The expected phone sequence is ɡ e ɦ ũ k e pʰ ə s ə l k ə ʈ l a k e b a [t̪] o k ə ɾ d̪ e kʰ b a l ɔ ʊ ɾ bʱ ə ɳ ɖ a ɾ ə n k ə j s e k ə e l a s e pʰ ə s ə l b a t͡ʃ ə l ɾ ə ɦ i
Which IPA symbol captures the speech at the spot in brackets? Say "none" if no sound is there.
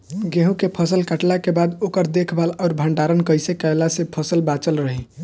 d̪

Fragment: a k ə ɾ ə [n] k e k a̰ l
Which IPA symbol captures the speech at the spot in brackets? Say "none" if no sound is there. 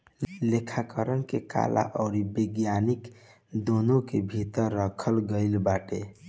n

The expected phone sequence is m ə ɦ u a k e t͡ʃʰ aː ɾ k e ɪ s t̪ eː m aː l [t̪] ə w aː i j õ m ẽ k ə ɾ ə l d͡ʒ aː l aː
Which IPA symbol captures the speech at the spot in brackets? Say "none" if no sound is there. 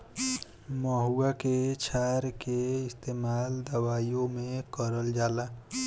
d̪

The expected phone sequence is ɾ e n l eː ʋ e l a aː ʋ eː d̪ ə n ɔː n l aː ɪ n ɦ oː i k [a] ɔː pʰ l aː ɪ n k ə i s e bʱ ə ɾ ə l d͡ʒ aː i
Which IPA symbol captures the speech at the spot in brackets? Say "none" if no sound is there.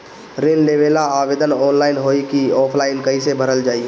i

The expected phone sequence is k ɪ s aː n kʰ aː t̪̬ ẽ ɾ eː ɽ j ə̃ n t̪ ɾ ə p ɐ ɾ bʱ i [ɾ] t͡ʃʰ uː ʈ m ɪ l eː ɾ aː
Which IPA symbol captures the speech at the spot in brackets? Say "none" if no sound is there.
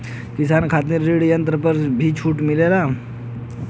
none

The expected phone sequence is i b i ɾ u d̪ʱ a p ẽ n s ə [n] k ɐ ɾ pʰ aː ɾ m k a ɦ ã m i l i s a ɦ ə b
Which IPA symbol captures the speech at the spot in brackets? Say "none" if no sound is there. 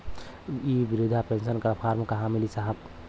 n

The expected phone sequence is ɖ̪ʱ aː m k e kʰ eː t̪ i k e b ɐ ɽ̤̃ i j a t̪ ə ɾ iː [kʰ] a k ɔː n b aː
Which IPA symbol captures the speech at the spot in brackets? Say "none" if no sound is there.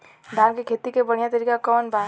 k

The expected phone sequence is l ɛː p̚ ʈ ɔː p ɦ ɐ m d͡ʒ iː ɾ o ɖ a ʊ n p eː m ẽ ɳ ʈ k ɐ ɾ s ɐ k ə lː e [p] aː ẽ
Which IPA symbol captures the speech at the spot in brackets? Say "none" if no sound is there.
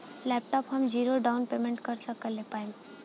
p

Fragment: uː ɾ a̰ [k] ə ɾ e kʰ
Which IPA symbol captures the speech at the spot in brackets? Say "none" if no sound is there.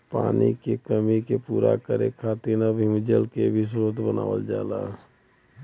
k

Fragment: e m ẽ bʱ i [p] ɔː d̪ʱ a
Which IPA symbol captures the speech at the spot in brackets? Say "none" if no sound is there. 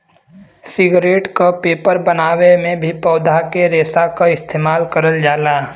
p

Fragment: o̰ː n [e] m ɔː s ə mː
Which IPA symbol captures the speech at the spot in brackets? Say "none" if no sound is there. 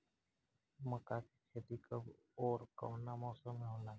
a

